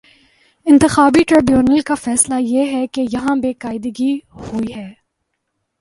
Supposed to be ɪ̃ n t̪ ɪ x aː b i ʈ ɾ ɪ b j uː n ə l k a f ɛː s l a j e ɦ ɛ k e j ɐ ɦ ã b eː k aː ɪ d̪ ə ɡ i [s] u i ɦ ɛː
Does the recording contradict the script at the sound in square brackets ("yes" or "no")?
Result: yes